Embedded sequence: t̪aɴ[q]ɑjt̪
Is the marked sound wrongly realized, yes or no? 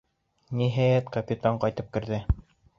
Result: no